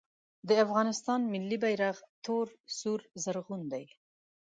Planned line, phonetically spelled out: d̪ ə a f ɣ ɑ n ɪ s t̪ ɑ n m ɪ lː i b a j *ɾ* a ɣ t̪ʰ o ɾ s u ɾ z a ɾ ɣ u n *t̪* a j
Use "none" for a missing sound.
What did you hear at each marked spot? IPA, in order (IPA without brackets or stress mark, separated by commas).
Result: ɾ, d̪